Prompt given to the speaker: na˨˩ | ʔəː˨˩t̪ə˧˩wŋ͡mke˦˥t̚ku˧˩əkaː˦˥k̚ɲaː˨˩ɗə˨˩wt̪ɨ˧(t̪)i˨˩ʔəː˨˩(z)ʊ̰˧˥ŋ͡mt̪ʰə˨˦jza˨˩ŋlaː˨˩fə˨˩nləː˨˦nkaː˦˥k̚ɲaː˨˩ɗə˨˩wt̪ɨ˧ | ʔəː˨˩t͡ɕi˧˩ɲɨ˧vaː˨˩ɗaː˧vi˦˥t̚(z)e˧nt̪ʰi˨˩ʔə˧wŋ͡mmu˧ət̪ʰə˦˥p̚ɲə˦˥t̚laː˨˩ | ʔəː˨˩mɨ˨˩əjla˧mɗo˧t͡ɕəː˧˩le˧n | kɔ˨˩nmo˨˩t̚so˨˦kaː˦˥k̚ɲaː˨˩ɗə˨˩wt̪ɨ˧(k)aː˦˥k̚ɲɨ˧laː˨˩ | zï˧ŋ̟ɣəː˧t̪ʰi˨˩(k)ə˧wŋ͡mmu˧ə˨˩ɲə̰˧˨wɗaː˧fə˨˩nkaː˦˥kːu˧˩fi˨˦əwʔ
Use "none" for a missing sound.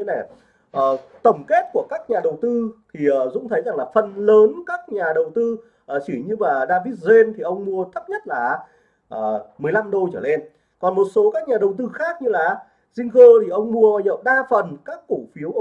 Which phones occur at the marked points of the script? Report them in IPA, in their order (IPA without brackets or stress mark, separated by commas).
t̪ʰ, z, z, x, ʔ